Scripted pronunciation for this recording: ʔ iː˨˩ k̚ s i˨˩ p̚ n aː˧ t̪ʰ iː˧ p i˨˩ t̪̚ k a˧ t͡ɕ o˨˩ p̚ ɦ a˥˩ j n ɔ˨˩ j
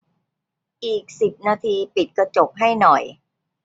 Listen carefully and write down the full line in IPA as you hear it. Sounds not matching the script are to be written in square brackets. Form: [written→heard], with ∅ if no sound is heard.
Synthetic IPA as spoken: ʔ iː˨˩ k̚ s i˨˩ p̚ n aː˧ t̪ʰ iː˧ p i˨˩ t̪̚ k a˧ t͡ɕ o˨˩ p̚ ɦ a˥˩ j n ɔ˨˩ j